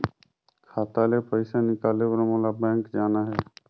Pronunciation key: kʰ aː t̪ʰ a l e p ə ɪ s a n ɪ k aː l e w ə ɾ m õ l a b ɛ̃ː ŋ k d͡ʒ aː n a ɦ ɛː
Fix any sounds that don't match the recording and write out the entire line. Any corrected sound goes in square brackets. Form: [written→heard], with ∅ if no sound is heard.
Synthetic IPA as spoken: kʰ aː [t̪ʰ→t̪] a l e p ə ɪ s a n ɪ k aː l e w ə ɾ m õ l a b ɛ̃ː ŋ k d͡ʒ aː n a ɦ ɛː

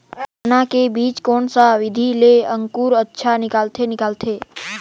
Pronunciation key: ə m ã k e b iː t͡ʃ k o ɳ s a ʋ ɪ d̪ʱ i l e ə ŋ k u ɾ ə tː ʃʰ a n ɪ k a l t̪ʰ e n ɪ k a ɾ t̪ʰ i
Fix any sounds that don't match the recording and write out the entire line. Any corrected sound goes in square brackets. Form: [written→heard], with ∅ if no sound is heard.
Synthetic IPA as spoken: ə [m→n] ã k e b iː t͡ʃ k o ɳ s a ʋ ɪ d̪ʱ i l e ə ŋ k u ɾ ə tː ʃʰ a n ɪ k a l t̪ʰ e n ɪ k a [ɾ→l] t̪ʰ [i→e]

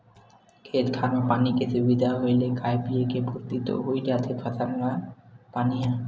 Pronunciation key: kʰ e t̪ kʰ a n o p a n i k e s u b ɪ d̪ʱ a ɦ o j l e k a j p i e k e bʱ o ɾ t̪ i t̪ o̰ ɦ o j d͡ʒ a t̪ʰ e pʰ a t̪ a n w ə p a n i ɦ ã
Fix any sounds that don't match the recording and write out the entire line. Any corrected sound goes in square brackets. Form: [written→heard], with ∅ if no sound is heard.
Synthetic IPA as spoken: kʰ e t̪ kʰ a n o p a n i k e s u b [ɪ→i] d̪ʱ a ɦ o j l e k a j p i e k e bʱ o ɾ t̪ i t̪ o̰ ɦ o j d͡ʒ a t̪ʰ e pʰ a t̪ a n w [ə→a] p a n i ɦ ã

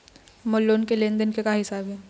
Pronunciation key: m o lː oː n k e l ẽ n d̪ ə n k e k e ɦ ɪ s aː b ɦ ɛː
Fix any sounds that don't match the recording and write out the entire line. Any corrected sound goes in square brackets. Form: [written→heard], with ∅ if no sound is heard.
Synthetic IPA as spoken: m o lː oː n k e l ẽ n d̪ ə n k e k [e→a] ɦ ɪ s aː b ɦ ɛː

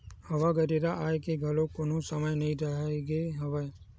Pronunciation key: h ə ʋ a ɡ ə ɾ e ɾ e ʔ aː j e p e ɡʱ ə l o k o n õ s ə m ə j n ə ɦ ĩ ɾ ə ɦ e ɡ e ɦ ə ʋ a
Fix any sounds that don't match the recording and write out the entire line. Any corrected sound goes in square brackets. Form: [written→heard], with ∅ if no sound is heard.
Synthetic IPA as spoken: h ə ʋ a ɡ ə ɾ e ɾ [e→a] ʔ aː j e [p→k] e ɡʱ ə l o k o n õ s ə m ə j n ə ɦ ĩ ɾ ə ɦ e ɡ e ɦ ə ʋ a

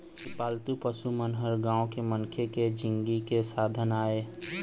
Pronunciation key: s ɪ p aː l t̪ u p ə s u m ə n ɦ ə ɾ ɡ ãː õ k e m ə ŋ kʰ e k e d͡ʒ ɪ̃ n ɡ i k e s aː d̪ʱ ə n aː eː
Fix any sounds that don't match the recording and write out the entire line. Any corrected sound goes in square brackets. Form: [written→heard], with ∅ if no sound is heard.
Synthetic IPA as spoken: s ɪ p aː l t̪ u p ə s u m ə n ɦ ə ɾ ɡ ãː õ k e m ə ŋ kʰ e k e d͡ʒ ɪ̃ [n→ŋ] ɡ i k e s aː d̪ʱ ə n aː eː

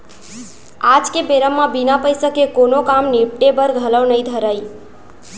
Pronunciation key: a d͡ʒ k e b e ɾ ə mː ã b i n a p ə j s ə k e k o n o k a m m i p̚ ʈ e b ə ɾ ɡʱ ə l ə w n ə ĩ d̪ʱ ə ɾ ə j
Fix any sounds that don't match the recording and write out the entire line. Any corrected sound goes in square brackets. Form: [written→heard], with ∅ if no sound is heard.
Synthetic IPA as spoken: a d͡ʒ k e b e ɾ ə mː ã b i n a p ə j s ə k e k o n o k a m [m→n] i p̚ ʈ e b ə ɾ ɡʱ ə l ə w n ə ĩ d̪ʱ ə ɾ [ə→a] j

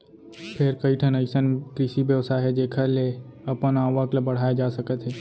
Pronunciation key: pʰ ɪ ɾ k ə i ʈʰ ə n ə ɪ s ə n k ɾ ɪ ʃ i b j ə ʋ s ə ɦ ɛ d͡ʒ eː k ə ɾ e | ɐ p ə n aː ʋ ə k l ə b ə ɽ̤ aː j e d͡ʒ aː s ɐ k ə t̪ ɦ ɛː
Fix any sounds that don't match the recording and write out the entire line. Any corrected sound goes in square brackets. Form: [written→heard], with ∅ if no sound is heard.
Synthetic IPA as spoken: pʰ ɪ ɾ k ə i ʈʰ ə n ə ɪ s ə n k ɾ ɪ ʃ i b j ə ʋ s [ə→a] ɦ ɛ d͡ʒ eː [k→kʰ] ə [ɾ→l] e | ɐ p ə n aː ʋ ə k l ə b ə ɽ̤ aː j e d͡ʒ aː s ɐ k ə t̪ ɦ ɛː

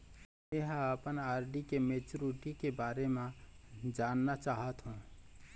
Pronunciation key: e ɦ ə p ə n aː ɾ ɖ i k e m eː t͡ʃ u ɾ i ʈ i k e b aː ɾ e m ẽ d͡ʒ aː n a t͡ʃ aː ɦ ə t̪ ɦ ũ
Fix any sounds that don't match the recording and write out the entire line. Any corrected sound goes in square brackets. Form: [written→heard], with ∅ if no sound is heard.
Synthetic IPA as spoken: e ɦ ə p ə n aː ɾ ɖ i k e m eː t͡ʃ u ɾ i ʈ i k e b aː ɾ e m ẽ d͡ʒ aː [n→nː] a t͡ʃ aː ɦ ə t̪ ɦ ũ

